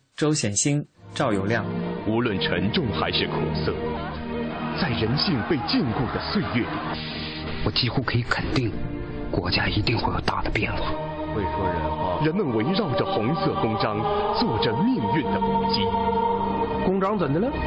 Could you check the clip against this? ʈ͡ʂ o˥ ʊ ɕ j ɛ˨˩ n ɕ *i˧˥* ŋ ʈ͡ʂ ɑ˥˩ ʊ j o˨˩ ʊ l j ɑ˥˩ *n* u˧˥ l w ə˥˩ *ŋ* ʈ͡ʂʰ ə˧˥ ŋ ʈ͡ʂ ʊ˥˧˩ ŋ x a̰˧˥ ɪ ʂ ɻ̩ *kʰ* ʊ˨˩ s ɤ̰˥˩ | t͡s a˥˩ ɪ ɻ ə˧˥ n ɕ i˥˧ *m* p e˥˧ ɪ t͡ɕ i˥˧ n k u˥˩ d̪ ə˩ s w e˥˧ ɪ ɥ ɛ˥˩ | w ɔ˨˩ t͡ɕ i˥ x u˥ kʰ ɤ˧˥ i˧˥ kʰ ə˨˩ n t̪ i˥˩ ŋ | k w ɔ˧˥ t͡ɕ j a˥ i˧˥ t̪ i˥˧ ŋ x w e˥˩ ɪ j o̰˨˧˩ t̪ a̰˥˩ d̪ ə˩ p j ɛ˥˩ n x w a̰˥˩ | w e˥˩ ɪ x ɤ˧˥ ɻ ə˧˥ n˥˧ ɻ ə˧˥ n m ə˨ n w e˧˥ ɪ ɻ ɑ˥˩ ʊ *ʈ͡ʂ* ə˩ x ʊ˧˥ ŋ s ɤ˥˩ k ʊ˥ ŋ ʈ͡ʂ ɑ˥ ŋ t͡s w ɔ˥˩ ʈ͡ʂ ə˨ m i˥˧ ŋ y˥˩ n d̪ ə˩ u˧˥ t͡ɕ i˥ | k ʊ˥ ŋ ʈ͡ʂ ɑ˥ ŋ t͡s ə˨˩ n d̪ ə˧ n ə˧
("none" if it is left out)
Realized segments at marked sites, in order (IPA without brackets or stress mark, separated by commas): i˥, ŋ, n, kʰ, ŋ, ʈ͡ʂ